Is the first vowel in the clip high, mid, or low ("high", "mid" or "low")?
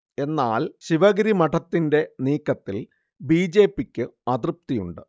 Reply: mid